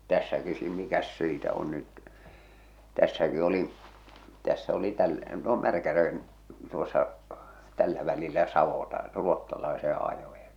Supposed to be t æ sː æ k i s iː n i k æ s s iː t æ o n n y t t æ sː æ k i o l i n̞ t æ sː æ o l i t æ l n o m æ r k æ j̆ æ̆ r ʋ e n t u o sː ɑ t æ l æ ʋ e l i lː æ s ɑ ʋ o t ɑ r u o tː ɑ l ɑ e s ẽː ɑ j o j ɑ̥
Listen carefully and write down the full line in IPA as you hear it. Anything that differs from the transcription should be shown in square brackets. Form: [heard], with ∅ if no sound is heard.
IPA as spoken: t æ sː æ k i s iː [m] i k æ s s iː t æ o n n y t t æ sː æ k i o l i n̞ t æ sː æ o l i t æ l n o m æ r k æ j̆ æ̆ r ʋ e n t u o sː ɑ t æ [lː] æ ʋ [æ] l i lː æ s ɑ ʋ o t ɑ r u o tː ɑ l ɑ e s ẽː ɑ j o j ɑ̥